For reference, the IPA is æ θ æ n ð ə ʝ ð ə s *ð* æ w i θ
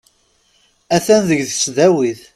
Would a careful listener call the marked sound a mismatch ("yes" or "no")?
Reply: no